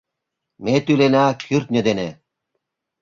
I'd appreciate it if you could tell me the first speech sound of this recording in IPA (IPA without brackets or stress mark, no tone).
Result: m